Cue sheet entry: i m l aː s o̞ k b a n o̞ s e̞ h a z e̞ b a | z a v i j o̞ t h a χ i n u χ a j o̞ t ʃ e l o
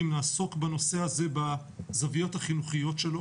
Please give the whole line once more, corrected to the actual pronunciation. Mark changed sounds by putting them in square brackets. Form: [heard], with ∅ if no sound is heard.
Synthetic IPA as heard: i m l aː s o̞ k b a n o̞ s e̞ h a z e̞ b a | z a v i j o̞ t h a χ i n u χ [i] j o̞ t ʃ e l o